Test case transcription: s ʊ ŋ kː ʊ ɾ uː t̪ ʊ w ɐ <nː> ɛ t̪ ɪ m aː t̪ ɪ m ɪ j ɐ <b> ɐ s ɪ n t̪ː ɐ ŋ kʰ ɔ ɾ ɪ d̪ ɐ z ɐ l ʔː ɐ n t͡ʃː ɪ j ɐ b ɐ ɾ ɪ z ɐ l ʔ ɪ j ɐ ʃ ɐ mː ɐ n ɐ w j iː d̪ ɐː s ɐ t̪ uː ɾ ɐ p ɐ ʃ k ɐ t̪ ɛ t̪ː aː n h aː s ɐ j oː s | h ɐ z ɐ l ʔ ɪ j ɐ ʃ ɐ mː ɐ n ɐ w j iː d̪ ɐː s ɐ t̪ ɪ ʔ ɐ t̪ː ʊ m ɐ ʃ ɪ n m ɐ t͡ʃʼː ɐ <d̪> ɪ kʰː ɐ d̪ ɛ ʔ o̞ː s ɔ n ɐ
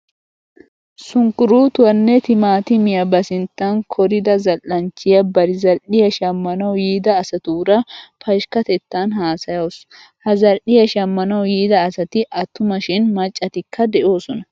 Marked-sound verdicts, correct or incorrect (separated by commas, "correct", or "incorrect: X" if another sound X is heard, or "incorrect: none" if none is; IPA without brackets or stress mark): correct, correct, incorrect: t̪